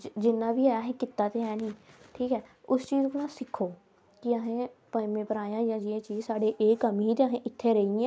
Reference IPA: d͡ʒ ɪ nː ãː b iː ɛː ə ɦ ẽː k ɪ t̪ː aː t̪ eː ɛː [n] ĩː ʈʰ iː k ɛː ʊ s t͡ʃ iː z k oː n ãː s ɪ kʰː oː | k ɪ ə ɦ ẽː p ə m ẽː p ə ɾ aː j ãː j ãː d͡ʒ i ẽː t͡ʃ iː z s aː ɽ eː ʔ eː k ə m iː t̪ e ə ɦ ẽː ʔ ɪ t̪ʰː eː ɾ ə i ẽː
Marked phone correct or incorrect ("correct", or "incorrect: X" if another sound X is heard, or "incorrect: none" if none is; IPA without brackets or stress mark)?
correct